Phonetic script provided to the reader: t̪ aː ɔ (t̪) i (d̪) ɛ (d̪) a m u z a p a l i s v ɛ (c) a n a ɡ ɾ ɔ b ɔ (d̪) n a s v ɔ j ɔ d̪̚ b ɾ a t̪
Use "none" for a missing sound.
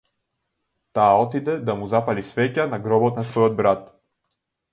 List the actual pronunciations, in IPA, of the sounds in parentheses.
t̪, d̪, d̪, c, t̪

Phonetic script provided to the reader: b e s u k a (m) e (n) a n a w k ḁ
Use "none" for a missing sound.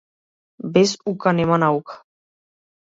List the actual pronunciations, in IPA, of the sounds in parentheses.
n, m

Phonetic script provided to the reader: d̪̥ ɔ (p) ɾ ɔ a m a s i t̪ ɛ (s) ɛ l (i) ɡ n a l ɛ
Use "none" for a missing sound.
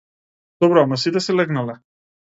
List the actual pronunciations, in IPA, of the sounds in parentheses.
b, s, ɛ

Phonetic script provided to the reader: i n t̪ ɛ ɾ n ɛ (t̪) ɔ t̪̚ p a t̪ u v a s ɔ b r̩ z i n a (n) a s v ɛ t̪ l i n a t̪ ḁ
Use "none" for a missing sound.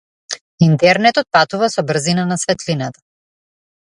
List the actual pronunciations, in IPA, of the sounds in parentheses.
t̪, n

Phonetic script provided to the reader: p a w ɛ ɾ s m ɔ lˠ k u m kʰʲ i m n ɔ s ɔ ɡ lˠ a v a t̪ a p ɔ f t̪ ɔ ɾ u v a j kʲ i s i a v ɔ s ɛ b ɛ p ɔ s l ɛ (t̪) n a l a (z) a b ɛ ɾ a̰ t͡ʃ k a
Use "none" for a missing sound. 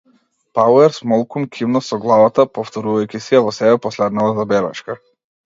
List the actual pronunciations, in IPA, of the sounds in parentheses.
d̪, z

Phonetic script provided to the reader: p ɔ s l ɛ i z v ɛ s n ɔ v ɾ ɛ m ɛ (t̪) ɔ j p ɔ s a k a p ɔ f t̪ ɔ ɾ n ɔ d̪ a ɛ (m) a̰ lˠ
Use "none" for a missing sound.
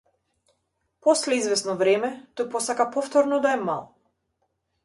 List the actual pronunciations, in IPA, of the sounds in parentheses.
t̪, m

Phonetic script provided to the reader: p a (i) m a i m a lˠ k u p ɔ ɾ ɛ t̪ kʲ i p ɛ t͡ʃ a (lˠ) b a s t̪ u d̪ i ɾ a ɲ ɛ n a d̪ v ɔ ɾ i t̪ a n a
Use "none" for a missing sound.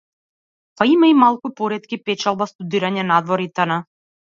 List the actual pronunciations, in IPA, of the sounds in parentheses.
i, lˠ

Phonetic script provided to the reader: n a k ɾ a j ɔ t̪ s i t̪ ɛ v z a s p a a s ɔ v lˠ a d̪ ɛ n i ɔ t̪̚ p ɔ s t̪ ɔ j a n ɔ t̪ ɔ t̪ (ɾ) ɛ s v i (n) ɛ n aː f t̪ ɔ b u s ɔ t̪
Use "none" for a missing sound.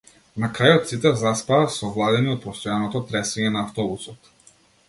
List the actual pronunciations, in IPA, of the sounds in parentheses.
ɾ, ɲ

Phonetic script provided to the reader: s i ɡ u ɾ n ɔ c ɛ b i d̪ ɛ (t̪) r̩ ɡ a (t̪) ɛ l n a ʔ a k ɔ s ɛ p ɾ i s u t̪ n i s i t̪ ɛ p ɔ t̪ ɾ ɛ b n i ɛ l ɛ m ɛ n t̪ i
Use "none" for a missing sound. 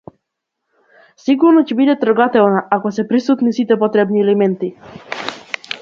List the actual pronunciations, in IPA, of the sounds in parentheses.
t̪, t̪

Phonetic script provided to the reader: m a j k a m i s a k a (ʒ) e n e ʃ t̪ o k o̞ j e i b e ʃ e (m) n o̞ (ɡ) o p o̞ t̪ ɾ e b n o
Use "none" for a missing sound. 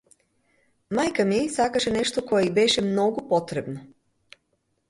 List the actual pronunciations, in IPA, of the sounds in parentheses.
ʃ, m, ɡ

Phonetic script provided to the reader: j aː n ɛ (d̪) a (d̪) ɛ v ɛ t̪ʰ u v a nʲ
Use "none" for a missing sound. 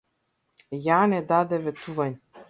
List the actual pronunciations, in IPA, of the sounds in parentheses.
d̪, d̪

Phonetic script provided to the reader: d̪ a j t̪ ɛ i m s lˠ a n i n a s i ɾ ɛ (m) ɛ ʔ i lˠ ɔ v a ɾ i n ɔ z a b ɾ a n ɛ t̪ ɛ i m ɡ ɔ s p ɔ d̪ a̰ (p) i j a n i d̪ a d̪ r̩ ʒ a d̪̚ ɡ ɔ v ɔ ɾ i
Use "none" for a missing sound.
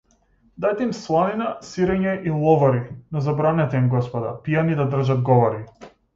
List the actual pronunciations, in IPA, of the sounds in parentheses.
ɲ, p

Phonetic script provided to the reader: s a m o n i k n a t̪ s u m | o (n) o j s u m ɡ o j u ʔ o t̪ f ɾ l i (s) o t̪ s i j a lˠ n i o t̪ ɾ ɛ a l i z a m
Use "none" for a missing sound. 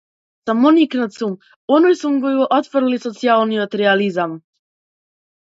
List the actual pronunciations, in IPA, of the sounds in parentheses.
n, s

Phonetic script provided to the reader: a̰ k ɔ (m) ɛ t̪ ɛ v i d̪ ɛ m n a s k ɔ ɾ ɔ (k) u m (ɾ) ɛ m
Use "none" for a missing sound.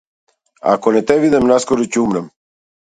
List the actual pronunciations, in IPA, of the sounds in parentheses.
n, c, ɾ

